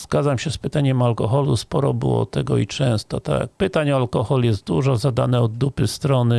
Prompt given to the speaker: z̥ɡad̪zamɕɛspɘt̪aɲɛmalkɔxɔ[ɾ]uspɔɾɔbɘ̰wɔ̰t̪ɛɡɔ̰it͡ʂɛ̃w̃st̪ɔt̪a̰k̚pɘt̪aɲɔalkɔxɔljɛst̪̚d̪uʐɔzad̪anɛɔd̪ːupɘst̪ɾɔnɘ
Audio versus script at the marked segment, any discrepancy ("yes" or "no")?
yes